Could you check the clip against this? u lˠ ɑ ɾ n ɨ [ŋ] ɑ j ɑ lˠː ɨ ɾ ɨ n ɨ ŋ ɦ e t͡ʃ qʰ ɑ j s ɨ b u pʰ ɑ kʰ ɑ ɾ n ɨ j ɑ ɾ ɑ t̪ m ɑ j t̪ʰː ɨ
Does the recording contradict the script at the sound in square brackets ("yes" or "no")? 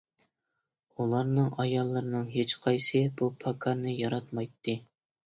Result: no